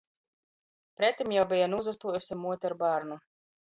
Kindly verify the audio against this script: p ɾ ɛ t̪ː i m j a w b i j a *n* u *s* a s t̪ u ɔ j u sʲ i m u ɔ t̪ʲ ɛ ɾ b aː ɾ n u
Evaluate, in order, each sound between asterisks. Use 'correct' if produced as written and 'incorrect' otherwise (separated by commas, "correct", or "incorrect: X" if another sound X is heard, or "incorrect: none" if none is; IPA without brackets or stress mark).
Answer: correct, incorrect: z